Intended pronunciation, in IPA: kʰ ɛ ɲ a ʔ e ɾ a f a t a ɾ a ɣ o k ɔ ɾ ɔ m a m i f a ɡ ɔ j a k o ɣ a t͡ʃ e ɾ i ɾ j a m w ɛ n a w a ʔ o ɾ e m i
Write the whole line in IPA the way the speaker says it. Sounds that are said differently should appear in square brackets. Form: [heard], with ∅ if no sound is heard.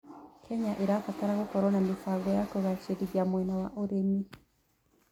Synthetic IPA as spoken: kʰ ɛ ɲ a ʔ e ɾ a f a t a ɾ a ɣ o k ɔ ɾ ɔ [n] a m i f a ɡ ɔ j a k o ɣ a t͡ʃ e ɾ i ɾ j a m w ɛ n a w a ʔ o ɾ e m i

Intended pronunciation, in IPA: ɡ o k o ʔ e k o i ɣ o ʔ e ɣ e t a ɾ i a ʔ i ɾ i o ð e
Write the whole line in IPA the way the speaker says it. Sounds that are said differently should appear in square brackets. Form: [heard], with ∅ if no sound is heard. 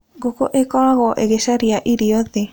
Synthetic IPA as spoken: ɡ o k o ʔ e k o [a] ɣ o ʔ e ɣ e [s] a ɾ i a ʔ i ɾ i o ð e

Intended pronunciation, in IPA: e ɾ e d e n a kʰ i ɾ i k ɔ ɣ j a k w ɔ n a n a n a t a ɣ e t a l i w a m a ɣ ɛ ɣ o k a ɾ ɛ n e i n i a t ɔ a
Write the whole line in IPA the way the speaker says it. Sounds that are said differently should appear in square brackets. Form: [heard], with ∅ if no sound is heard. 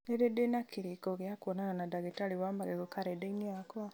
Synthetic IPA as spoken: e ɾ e d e n a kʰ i ɾ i k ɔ ɣ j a k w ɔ n a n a n a [d] a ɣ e t a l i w a m a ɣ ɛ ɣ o k a ɾ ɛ [d] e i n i a [k] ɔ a

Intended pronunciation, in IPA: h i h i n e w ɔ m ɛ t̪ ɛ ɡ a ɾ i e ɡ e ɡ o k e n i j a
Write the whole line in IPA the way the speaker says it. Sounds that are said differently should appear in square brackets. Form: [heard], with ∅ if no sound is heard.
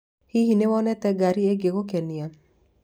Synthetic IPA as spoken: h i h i n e w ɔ [n] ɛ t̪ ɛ ɡ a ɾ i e ɡ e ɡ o k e n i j a

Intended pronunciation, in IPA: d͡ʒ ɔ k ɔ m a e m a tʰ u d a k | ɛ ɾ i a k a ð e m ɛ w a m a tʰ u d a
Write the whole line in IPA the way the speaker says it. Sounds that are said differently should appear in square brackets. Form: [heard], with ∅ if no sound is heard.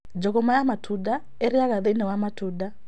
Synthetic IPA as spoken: d͡ʒ ɔ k ɔ m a [a] m a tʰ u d a [∅] | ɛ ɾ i a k a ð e [n] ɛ w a m a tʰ u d a

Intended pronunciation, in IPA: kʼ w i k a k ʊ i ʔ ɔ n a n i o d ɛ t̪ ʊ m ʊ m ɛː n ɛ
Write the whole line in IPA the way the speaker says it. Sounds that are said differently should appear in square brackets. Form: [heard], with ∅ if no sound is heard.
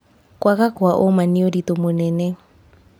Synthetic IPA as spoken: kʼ w [a] k a k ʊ [a] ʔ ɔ [m] a n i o d [i] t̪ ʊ m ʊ [n] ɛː n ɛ

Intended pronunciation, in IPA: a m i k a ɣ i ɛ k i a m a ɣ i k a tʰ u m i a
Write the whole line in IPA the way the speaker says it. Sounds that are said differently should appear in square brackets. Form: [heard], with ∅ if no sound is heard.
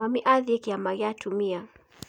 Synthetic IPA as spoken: a m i [ʔ] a [ð] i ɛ k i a m a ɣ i [∅] a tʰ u m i a

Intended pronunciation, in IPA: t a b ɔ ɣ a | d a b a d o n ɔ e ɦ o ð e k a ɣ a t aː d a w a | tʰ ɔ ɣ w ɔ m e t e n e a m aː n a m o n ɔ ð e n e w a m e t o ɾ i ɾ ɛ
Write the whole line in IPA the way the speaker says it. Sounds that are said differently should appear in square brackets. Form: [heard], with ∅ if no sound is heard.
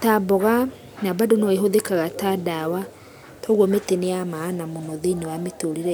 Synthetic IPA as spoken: t a b ɔ ɣ a | [n] a b a d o n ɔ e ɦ o ð e k a ɣ a t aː d a w a | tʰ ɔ ɣ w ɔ m e t e n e a m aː n a m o n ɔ ð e n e w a m e t o ɾ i ɾ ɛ

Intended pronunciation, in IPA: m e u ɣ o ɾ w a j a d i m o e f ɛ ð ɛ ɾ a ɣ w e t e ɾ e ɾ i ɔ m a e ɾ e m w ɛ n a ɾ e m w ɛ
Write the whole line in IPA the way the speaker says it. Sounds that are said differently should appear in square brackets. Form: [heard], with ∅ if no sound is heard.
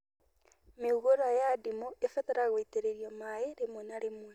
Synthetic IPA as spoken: m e u ɣ o ɾ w a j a d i m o e f ɛ ð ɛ ɾ a ɣ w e t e ɾ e ɾ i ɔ m a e ɾ e m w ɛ n a ɾ e m w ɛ

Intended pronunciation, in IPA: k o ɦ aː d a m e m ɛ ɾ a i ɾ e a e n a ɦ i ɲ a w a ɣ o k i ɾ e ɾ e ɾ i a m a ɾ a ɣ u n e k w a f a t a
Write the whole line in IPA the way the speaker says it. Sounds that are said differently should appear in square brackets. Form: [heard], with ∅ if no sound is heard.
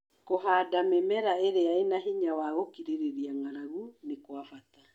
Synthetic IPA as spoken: k o ɦ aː d a m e m ɛ ɾ a [e] ɾ e a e n a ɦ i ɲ a w a ɣ o k i ɾ e ɾ e ɾ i a [ŋ] a ɾ a ɣ u n e k w a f a t a

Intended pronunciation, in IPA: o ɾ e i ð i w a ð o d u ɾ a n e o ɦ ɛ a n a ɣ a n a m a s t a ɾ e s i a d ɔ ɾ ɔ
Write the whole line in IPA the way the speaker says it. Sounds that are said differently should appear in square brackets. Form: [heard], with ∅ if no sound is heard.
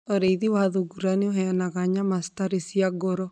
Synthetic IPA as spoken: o ɾ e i ð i w a ð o [ɡ] u ɾ a n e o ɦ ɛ a n a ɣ a [ɲ] a m a s t a ɾ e s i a [ɡ] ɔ ɾ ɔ

